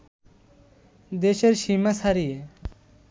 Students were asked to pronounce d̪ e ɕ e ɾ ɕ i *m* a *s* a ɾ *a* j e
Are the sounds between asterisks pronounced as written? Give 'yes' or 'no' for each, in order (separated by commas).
yes, yes, no